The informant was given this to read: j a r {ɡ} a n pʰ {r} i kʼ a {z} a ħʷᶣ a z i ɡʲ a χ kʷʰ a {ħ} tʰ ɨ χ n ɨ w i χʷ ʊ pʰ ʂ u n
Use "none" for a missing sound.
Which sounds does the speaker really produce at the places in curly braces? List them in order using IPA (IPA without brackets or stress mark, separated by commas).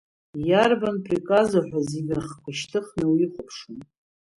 b, r, z, ʃ